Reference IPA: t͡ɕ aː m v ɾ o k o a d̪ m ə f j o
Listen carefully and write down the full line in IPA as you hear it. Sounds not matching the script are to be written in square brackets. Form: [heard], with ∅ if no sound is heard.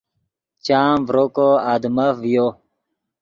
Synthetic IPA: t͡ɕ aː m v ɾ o k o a d̪ m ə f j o